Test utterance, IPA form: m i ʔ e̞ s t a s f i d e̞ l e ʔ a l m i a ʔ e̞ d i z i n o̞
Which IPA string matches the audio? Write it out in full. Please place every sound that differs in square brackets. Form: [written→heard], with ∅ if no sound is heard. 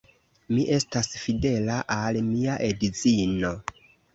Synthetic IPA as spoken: m i ʔ e̞ s t a s f i d e̞ l [e→a] ʔ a l m i a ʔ e̞ d i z i n o̞